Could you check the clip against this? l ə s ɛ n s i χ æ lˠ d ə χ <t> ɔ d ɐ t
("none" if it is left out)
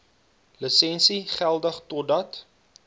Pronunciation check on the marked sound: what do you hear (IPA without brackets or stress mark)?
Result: t